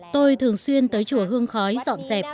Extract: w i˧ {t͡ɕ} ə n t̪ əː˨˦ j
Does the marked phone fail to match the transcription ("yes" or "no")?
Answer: yes